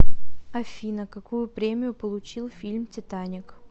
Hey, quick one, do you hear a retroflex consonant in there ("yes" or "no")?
no